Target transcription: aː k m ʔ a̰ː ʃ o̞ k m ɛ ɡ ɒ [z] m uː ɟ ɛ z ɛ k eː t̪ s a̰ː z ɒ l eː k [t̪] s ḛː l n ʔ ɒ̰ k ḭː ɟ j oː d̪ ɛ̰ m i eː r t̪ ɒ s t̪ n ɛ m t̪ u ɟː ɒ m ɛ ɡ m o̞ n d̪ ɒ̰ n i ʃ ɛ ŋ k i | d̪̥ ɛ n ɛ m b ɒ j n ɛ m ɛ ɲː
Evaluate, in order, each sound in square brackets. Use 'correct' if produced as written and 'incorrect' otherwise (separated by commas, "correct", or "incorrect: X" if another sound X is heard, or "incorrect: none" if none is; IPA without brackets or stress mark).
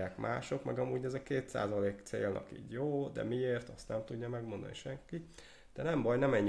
incorrect: none, correct